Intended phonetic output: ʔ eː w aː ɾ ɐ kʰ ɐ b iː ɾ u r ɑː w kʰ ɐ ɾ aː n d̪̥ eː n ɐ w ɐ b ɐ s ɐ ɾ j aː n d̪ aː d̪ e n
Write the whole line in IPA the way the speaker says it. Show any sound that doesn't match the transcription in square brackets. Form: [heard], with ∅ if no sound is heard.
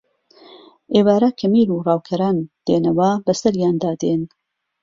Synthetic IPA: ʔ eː w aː ɾ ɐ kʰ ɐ [m] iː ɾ u r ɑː w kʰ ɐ ɾ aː n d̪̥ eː n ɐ w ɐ b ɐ s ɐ ɾ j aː n d̪ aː d̪ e n